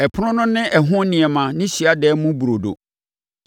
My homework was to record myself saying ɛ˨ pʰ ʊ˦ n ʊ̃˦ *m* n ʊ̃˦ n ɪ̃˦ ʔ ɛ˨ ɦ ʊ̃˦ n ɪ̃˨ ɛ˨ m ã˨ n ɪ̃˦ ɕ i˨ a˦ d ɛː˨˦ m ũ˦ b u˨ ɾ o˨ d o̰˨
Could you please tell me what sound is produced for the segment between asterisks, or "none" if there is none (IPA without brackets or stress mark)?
none